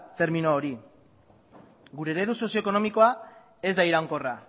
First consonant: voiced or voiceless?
voiceless